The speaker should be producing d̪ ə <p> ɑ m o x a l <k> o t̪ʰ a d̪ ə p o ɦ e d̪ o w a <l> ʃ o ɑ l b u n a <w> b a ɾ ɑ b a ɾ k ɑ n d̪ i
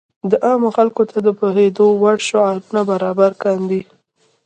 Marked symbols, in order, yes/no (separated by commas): no, yes, no, no